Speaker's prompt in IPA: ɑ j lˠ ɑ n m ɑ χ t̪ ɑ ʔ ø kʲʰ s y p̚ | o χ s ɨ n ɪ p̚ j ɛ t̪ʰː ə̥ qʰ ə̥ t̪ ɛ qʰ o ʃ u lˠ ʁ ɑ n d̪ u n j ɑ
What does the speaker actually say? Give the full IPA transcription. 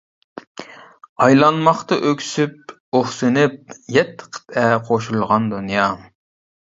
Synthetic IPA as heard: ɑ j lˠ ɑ n m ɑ χ t̪ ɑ ʔ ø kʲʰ s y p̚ | o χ s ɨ n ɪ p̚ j ɛ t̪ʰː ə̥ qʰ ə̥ t̪ ɛ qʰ o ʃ u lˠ ʁ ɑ n d̪ u n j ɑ

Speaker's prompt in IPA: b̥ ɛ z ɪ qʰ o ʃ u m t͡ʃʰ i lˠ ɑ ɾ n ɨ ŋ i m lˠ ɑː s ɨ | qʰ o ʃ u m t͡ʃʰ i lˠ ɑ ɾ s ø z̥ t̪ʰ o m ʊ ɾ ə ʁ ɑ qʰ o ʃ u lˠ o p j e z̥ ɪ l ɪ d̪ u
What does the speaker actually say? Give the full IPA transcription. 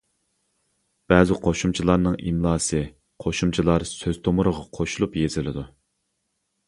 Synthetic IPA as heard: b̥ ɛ z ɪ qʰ o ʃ u m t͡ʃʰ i lˠ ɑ ɾ n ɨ ŋ i m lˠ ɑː s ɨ | qʰ o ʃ u m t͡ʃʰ i lˠ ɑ ɾ s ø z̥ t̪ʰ o m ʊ ɾ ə ʁ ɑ qʰ o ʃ u lˠ u p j e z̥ ɪ l ɪ d̪ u

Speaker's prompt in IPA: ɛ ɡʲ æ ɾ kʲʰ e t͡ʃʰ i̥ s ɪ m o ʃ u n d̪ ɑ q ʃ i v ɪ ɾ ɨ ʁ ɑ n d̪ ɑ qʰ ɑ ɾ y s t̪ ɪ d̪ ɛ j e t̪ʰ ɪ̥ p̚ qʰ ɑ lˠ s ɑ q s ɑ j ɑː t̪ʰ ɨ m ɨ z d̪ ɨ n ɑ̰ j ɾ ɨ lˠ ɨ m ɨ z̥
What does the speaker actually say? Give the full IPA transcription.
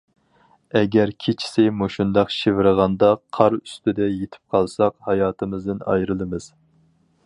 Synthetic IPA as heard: ɛ ɡʲ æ ɾ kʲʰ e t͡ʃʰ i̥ s ɪ m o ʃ u n d̪ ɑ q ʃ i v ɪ ɾ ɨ ʁ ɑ n d̪ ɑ qʰ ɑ ɾ y s t̪ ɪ d̪ ɛ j e t̪ʰ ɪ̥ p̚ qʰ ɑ lˠ s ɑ q h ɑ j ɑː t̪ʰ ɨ m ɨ z d̪ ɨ n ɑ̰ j ɾ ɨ lˠ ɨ m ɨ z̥

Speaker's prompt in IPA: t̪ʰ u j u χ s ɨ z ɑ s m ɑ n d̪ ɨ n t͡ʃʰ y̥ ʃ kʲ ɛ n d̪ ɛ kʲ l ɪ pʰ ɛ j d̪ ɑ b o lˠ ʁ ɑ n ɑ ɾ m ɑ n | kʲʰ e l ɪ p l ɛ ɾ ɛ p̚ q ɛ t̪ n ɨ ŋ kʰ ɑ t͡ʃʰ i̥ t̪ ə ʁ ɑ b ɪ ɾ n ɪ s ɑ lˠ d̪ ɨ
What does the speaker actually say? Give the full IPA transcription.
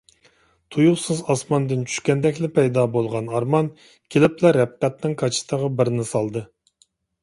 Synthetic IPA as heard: t̪ʰ u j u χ s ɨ z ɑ s m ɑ n d̪ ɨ n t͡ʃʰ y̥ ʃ kʲ ɛ n d̪ ɛ kʲ l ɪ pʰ ɛ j d̪ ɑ b o lˠ ʁ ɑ n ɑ ɾ m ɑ n | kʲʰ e l ɪ p l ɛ ɾ ɛ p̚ q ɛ t̪ n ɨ ŋ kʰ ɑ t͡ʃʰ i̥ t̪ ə ʁ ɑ b ɪ ɾ n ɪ s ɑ lˠ d̪ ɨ

